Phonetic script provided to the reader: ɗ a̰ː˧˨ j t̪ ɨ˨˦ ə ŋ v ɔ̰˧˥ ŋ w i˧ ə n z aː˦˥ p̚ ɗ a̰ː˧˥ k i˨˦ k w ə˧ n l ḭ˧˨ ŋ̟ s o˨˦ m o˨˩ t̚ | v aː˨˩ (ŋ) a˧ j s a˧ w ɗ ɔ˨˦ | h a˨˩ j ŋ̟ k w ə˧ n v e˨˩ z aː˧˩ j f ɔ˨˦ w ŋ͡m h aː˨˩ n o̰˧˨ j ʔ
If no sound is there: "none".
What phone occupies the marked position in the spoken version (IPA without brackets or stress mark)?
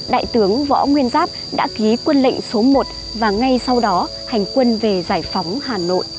ŋ